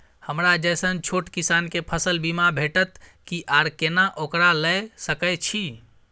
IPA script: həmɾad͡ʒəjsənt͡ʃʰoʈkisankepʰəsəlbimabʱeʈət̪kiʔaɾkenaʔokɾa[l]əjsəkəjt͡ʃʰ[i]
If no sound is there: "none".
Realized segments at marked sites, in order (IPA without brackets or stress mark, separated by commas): l, i